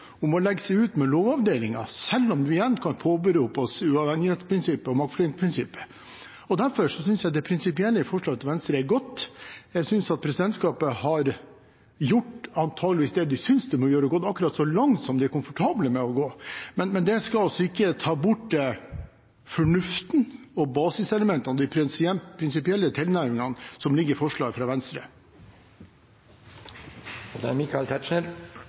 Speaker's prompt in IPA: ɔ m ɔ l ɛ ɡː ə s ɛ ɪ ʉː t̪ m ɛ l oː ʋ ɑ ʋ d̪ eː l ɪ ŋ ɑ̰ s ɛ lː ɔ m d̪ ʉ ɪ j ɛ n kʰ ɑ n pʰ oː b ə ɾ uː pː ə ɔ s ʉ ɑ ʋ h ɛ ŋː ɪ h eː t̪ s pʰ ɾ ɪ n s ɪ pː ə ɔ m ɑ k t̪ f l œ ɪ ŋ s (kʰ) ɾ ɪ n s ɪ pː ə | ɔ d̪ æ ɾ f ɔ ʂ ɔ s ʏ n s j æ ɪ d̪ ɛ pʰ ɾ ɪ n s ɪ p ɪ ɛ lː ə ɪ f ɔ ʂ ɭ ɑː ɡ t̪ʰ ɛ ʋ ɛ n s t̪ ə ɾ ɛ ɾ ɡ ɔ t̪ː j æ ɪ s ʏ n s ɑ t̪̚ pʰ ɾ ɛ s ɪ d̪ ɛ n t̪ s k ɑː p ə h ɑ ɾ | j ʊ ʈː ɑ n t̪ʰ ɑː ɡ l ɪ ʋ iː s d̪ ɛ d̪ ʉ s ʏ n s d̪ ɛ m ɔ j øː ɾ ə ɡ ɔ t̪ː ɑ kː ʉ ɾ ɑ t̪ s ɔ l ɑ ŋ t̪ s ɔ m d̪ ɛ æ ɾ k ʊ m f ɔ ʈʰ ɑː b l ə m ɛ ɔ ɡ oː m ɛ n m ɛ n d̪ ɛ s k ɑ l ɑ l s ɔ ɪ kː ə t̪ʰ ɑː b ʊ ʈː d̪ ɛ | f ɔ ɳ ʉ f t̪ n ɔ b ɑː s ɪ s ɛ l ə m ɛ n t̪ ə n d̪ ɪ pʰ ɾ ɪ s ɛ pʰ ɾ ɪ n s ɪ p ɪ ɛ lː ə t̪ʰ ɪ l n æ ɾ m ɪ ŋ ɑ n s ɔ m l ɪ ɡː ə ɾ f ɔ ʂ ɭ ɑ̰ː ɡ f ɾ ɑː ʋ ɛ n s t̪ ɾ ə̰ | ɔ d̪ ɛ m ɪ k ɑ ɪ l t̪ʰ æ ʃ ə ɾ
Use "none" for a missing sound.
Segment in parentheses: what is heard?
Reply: pʰ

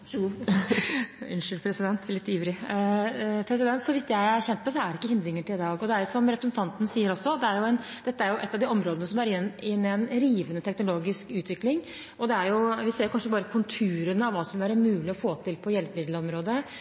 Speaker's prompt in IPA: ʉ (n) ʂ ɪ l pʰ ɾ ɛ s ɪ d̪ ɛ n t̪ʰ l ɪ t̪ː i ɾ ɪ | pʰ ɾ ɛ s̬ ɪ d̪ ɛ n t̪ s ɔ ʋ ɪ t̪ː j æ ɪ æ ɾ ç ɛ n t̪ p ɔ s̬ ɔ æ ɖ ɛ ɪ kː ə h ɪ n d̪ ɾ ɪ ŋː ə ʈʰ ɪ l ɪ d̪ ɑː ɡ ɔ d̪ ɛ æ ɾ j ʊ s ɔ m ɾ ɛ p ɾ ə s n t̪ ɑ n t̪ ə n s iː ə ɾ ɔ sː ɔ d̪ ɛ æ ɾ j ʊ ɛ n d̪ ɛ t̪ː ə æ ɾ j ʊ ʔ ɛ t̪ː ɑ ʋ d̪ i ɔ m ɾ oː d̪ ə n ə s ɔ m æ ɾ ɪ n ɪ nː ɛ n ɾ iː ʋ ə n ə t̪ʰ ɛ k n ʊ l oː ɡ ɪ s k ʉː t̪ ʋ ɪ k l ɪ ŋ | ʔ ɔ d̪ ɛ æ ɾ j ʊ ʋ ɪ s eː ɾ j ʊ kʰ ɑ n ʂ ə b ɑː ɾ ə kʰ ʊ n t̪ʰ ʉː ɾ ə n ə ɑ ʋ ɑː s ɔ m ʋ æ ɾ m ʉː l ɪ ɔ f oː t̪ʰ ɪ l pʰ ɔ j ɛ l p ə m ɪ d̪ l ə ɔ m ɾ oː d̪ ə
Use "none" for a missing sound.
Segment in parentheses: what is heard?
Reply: n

